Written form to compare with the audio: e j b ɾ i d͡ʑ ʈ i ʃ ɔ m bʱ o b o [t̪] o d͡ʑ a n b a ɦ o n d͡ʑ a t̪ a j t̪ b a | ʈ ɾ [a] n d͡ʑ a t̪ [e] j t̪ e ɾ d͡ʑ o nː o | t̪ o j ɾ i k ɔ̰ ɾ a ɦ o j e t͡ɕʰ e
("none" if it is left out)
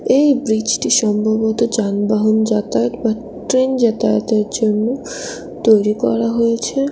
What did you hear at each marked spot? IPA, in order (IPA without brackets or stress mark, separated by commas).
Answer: t̪, e, a